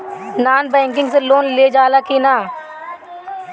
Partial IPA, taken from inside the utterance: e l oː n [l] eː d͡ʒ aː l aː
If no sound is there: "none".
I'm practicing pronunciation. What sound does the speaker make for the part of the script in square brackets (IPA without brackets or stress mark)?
l